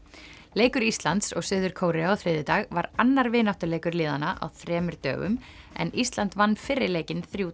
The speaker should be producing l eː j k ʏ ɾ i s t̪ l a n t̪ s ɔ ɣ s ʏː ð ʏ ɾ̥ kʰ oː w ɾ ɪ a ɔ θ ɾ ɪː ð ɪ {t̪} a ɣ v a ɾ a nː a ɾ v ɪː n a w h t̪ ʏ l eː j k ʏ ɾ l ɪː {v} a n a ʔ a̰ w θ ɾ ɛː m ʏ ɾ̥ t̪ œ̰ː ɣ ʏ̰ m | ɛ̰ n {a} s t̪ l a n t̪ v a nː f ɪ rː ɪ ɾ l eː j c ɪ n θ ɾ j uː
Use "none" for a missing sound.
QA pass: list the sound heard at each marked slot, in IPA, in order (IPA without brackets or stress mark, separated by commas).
t̪, ð, i